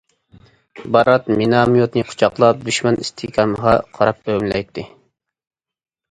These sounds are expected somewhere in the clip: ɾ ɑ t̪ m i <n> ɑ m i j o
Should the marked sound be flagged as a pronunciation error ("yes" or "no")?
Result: no